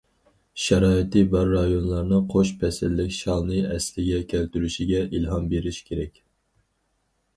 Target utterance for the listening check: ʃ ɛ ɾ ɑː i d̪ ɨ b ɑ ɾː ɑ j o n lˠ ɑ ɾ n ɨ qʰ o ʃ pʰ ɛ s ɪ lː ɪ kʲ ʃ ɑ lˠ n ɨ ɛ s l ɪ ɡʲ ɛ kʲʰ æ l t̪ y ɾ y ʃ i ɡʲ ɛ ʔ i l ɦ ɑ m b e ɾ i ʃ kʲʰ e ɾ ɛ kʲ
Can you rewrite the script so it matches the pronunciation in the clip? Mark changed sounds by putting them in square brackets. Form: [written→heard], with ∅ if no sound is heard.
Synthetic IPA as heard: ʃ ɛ ɾ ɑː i [d̪→t̪] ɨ b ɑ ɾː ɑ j o n lˠ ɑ ɾ n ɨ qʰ o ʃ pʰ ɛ s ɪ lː ɪ kʲ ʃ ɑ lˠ n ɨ ɛ s l ɪ ɡʲ ɛ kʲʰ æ l t̪ y ɾ y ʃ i ɡʲ ɛ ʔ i l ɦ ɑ m b e ɾ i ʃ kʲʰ e ɾ ɛ kʲ